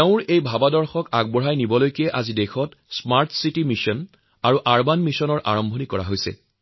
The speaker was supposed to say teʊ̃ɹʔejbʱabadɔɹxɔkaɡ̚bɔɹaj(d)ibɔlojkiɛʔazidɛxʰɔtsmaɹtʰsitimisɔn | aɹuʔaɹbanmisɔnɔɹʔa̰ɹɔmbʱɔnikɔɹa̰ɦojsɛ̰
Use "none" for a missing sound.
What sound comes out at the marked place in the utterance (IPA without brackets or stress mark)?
n